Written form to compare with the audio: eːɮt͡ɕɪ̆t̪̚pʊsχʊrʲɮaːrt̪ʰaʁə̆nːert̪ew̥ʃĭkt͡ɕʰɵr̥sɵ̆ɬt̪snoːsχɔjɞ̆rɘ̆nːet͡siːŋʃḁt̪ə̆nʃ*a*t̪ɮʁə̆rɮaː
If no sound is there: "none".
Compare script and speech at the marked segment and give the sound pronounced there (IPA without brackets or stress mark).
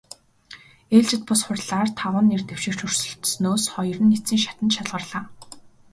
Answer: a